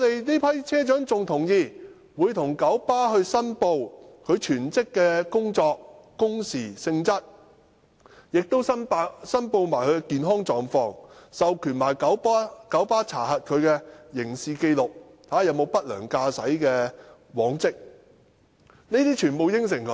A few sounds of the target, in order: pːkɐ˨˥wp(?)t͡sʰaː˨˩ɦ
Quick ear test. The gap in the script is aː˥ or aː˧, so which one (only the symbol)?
aː˥